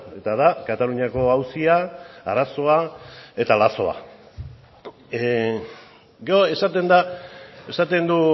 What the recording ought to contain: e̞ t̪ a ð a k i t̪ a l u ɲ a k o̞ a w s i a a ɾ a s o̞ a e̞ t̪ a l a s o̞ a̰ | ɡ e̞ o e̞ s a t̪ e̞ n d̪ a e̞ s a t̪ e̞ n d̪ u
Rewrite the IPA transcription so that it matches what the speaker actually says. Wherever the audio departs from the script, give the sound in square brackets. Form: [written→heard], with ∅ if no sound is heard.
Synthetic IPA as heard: e̞ t̪ a ð a k [i→a] t̪ a l u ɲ a k o̞ a w s i a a ɾ a s o̞ a e̞ t̪ a l a s o̞ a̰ | ɡ e̞ o e̞ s a t̪ e̞ n d̪ a e̞ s a t̪ e̞ n d̪ u